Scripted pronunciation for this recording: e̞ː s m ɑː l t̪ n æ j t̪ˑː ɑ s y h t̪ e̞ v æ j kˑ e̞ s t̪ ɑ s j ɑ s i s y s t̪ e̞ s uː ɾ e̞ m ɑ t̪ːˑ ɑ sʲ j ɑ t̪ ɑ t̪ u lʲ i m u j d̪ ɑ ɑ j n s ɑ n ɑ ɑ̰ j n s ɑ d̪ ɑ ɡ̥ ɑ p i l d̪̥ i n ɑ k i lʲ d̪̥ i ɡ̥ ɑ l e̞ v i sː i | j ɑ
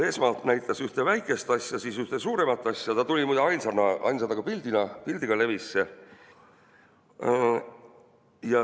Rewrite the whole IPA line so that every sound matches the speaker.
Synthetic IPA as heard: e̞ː s m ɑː l t̪ n æ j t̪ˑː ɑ s y h t̪ e̞ v æ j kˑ e̞ s t̪ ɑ s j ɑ s i s y h t̪ e̞ s uː ɾ e̞ m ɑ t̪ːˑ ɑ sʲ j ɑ t̪ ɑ t̪ u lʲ i m u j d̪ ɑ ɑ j n s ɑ n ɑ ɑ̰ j n s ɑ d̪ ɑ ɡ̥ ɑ p i l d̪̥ i n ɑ p i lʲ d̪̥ i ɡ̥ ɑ l e̞ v i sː e | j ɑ